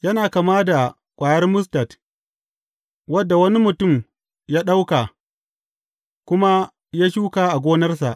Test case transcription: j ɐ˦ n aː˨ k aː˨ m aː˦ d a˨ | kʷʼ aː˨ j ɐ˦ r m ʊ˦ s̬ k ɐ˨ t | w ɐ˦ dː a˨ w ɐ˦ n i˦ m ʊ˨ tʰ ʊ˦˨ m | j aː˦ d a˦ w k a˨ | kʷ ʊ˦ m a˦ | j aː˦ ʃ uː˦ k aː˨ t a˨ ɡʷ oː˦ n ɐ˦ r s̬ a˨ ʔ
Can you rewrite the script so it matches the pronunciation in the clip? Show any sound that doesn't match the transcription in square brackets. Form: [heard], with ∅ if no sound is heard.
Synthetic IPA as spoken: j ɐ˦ n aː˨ k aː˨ m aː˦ d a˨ | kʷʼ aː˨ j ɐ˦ r m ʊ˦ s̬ [t] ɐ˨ t | w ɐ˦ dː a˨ w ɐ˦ n i˦ m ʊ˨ [t] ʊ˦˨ m | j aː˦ [ɗ] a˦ w k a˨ | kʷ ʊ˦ m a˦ | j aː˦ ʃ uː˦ k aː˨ [ʔ] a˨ ɡʷ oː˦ n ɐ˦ r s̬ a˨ ʔ